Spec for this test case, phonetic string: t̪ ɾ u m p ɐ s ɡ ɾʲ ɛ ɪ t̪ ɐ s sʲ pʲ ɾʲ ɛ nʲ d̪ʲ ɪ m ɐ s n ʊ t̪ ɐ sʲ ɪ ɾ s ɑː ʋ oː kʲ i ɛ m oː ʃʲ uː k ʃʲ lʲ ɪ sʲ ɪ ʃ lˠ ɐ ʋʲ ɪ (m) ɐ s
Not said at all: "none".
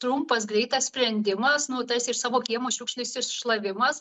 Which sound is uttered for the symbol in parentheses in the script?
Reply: m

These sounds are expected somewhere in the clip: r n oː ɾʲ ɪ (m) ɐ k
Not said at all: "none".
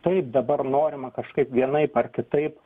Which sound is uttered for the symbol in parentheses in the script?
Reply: m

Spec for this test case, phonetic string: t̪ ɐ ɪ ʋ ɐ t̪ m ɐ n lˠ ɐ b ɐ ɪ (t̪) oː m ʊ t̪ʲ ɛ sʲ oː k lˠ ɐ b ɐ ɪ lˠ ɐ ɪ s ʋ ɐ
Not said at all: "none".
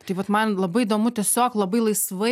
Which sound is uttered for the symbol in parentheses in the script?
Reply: d̪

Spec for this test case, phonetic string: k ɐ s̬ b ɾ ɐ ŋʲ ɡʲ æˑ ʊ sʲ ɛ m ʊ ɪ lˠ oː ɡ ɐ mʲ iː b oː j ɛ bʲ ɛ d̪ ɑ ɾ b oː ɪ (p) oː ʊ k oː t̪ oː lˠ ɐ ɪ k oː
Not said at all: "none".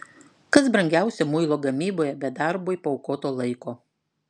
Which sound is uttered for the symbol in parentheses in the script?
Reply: p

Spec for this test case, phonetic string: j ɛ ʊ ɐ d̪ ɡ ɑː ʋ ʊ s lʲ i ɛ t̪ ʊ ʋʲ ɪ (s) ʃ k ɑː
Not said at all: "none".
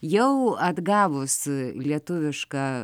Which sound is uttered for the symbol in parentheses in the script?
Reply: none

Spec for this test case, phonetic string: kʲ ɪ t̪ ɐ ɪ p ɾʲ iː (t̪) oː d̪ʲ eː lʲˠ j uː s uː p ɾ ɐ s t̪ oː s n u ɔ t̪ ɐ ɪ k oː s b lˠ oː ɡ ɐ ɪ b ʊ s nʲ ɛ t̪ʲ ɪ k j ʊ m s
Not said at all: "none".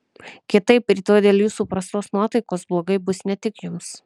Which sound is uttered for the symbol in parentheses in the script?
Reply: t̪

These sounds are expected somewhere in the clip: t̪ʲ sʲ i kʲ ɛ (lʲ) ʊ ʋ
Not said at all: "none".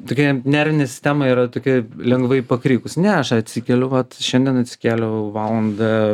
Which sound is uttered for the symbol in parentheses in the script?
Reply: lʲ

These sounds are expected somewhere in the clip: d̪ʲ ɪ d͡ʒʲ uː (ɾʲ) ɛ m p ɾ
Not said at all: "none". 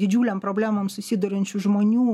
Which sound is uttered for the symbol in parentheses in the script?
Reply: lʲ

